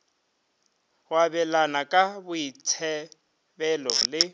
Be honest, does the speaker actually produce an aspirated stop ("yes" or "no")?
yes